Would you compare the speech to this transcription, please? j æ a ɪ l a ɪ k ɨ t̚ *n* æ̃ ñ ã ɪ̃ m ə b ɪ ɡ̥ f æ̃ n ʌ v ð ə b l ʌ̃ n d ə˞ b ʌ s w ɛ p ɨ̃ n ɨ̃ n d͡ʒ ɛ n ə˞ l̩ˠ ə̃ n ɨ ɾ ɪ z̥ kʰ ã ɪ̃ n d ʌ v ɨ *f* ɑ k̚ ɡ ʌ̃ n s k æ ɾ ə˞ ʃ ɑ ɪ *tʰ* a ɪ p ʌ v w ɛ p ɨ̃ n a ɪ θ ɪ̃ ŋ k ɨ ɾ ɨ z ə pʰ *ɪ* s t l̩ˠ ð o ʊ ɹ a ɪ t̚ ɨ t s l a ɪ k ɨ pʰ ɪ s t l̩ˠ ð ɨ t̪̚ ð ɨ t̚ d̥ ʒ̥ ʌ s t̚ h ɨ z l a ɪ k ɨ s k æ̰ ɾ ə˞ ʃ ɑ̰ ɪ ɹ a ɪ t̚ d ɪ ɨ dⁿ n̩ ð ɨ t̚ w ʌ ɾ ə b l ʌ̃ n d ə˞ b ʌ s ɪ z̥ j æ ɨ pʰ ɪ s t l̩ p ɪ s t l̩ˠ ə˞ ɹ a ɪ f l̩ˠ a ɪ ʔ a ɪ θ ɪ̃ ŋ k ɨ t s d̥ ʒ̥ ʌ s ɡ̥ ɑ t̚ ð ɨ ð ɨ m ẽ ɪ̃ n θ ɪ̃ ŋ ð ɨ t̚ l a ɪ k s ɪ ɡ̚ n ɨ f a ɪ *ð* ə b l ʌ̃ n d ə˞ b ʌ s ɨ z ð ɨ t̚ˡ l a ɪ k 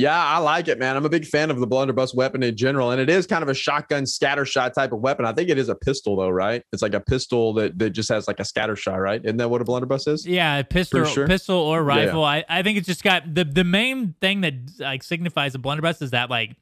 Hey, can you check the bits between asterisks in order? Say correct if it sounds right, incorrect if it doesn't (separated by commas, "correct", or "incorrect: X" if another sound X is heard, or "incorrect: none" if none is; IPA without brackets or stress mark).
incorrect: m, incorrect: ʃ, correct, correct, incorrect: z